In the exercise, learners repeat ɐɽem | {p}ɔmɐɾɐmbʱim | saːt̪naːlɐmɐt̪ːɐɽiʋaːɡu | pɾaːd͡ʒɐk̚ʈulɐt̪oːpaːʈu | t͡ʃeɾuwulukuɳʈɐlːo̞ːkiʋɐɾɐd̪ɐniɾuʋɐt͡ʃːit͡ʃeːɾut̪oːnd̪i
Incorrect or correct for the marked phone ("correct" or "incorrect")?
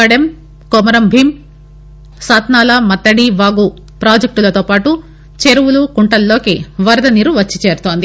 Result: incorrect